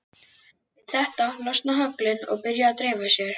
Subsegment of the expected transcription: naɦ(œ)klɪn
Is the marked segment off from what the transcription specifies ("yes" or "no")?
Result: no